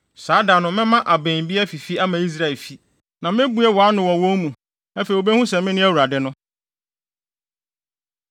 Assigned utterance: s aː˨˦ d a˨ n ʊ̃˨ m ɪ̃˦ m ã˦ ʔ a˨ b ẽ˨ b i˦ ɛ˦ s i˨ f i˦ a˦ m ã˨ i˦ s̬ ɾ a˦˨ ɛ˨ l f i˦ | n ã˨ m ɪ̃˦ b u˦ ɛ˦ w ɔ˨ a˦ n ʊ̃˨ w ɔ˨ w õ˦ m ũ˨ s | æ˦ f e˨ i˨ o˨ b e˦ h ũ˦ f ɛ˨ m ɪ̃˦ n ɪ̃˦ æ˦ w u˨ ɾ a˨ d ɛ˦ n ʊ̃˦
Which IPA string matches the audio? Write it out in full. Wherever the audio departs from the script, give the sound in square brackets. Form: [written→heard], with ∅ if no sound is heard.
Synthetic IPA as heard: s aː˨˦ d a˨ n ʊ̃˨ m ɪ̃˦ m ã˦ ʔ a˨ b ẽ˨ b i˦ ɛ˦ [s→f] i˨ f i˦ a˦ m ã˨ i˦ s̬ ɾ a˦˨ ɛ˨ l f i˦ | n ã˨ m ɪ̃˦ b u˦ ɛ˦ w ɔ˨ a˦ n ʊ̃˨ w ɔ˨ w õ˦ m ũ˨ [s→∅] | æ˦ f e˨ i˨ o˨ b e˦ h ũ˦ [f→s] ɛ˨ m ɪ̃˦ n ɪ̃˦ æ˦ w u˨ ɾ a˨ d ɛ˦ n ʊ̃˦